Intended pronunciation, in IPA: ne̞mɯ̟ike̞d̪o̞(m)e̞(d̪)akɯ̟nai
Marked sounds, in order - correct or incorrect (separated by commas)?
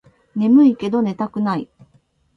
incorrect, incorrect